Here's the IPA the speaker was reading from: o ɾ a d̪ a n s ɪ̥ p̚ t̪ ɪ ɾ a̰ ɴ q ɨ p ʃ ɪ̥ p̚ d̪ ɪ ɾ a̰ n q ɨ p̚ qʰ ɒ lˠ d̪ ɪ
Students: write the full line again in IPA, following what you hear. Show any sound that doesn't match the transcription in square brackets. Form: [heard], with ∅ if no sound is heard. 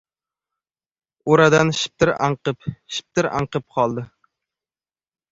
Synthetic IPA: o ɾ a d̪ a n [ʃ] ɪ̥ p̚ t̪ ɪ ɾ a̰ ɴ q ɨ p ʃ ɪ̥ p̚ [t̪] ɪ ɾ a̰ [ɴ] q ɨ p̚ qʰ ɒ lˠ d̪ ɪ